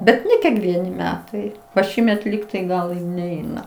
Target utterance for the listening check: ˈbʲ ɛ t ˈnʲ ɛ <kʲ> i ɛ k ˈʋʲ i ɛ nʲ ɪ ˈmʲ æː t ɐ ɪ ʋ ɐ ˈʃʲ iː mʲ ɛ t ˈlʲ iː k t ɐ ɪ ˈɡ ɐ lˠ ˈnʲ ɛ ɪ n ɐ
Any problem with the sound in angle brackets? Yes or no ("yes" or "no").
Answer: no